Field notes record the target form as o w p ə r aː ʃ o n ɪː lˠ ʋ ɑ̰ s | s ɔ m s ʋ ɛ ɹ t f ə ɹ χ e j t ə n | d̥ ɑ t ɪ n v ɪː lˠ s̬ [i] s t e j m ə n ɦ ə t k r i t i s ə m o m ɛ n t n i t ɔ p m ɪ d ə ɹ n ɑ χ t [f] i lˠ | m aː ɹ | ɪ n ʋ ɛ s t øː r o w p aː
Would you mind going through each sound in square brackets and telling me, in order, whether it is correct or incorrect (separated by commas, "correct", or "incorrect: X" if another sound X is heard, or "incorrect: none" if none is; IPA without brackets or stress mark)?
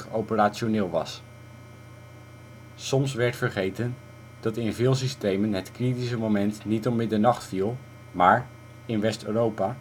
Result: correct, correct